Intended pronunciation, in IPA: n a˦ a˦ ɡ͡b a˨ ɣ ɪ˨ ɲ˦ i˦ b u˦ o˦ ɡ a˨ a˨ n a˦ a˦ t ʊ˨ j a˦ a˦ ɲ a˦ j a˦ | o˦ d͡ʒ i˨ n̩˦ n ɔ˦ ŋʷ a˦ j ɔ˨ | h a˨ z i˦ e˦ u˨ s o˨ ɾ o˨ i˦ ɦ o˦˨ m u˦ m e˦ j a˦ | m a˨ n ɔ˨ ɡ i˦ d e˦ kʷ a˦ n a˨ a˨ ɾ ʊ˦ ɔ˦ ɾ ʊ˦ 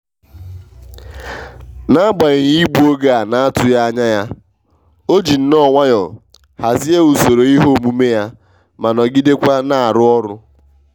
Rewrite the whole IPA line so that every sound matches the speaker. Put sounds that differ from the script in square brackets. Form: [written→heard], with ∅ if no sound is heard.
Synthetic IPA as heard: n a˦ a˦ ɡ͡b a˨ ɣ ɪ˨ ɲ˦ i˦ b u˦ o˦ ɡ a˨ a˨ n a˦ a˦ t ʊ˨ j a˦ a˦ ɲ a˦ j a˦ | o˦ d͡ʒ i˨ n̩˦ n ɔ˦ ŋʷ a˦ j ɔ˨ | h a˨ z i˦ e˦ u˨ s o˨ ɾ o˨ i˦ ɦ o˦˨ m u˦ m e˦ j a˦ | m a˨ n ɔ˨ ɡ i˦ d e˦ kʷ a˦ n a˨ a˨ ɾ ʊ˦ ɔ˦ ɾ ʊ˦